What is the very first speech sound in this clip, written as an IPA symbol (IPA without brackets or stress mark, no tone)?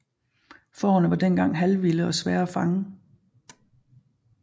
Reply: f